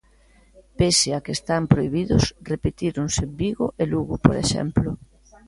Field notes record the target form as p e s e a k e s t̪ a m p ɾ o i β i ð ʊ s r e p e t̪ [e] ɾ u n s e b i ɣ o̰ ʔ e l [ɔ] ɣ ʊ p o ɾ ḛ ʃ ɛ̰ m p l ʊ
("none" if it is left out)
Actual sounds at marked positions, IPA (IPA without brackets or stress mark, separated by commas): i, u